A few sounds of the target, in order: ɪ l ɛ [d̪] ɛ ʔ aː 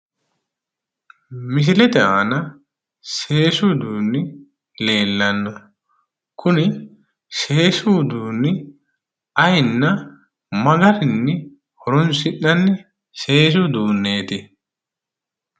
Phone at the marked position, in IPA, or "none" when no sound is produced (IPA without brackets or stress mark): t̪